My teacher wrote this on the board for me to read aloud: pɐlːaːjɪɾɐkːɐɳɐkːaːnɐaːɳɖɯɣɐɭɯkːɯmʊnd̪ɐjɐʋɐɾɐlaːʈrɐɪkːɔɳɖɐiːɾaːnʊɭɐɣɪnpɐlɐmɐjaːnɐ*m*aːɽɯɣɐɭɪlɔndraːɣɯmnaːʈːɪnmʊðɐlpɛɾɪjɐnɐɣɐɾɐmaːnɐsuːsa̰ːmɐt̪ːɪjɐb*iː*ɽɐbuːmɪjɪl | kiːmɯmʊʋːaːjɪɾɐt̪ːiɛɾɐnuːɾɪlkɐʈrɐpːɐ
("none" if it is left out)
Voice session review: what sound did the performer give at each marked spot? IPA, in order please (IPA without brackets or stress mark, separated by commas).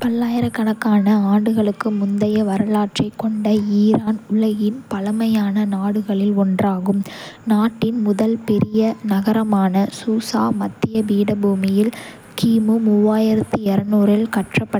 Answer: n, iː